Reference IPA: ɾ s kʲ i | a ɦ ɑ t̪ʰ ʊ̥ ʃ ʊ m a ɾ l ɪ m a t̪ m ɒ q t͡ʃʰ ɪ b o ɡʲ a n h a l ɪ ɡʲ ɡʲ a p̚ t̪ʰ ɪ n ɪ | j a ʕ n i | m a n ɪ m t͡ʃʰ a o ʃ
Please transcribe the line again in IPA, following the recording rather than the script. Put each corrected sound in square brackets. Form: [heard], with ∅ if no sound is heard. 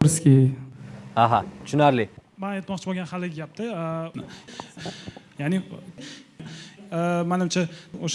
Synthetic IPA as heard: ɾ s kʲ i | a ɦ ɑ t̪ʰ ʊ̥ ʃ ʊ [n] a ɾ l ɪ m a t̪ m ɒ q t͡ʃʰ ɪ b o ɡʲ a n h a l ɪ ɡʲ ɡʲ a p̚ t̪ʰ ɪ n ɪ | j a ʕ n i | m a n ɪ m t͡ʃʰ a o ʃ